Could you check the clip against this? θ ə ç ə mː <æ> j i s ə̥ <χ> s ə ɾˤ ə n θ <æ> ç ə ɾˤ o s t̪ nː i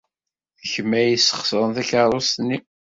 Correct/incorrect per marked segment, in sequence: correct, correct, correct

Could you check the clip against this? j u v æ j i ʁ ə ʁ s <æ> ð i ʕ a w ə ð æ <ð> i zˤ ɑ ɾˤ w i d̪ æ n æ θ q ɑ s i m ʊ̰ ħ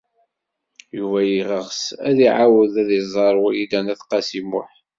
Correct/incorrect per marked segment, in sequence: correct, correct

